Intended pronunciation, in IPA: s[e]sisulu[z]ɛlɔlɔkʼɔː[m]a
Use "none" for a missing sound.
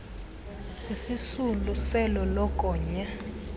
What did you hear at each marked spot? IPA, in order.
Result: i, s, ɲ

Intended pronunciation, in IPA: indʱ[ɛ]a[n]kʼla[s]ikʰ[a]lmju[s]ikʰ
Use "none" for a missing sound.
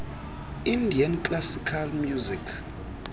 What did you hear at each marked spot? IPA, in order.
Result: i, n, s, a, z

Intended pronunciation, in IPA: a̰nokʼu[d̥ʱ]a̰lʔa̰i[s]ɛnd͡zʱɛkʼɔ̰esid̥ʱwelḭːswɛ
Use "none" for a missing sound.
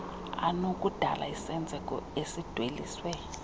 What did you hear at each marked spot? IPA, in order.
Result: d̥ʱ, s

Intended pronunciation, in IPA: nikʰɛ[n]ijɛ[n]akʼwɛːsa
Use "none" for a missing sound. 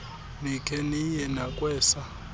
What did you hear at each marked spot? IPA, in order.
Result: n, n

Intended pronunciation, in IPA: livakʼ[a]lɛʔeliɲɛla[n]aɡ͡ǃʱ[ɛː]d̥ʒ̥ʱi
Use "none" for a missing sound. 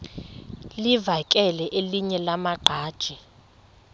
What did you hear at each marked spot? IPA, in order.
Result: ɛ, m, aː

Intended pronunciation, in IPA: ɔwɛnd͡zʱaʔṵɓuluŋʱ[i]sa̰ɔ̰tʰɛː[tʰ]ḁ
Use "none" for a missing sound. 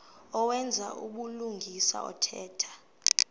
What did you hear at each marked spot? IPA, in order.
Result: i, tʰ

